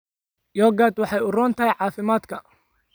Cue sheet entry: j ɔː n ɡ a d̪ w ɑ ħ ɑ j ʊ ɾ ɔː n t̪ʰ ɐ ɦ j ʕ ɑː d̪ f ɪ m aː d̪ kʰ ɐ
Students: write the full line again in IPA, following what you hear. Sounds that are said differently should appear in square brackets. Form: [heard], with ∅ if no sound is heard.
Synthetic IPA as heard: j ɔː [∅] ɡ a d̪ w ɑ ħ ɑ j ʊ [r] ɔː n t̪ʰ ɐ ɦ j ʕ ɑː [∅] f ɪ m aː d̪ kʰ ɐ